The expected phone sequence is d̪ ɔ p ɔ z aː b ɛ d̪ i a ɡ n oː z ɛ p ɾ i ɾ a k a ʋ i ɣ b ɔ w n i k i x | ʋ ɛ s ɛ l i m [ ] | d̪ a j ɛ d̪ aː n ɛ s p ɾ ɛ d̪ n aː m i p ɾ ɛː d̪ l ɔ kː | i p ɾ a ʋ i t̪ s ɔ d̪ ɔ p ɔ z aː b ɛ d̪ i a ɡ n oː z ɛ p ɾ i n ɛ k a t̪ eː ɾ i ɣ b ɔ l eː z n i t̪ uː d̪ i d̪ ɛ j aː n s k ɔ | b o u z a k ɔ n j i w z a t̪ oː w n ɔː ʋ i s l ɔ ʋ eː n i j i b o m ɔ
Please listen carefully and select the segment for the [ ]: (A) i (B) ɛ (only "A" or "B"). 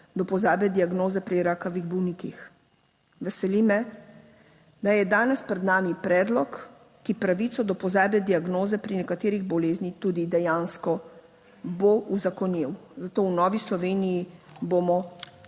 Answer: B